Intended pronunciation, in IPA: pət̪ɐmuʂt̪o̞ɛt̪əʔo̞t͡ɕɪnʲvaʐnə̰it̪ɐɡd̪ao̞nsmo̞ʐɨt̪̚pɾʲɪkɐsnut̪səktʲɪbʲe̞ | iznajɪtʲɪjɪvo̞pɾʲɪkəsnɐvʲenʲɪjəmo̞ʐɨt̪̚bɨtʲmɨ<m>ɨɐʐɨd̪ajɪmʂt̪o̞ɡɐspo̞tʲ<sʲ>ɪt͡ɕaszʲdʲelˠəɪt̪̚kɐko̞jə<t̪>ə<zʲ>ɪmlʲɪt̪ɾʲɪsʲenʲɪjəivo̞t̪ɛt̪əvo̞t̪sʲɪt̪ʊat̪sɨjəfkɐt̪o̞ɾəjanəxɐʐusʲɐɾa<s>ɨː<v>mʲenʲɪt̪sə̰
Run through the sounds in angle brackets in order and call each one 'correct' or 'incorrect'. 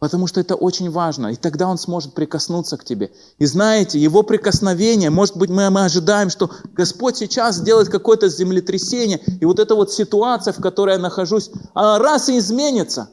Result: correct, correct, correct, correct, correct, incorrect

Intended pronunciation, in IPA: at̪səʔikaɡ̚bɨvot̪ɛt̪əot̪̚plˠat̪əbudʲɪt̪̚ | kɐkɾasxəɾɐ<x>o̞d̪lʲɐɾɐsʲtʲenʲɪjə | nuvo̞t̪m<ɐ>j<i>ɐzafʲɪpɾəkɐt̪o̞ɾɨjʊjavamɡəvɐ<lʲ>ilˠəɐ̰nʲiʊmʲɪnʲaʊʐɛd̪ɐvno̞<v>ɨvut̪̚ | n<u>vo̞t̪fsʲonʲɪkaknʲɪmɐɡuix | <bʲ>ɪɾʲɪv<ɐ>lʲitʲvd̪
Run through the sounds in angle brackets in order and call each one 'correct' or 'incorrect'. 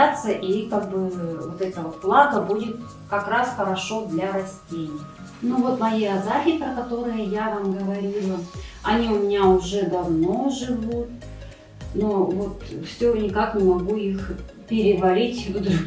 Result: incorrect, correct, correct, incorrect, incorrect, incorrect, incorrect, correct

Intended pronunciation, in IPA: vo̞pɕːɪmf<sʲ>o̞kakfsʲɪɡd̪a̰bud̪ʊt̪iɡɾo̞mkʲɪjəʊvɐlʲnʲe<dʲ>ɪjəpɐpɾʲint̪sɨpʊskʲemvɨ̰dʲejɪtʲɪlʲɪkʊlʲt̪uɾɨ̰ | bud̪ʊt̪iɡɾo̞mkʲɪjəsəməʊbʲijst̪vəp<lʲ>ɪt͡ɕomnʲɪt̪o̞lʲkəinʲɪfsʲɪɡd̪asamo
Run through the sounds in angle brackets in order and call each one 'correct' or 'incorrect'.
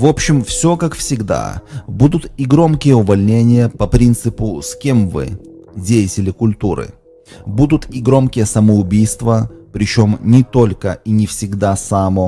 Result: correct, incorrect, incorrect

